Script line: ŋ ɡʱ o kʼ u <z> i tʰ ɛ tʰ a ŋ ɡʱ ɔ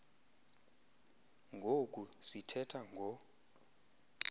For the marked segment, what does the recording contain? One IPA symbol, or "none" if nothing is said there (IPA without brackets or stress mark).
s